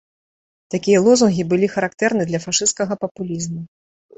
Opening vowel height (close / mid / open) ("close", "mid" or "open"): open